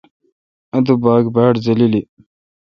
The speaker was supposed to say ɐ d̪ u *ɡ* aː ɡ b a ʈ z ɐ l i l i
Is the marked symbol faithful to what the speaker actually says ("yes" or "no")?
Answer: no